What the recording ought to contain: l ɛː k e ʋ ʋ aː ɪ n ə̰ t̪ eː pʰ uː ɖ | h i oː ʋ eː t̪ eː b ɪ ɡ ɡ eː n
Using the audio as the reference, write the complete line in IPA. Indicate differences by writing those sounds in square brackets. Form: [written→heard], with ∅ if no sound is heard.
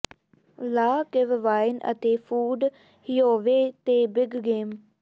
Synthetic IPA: l [ɛː→aː] k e ʋ ʋ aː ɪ n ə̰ t̪ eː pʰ uː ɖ | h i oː ʋ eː t̪ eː b ɪ ɡ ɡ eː [n→m]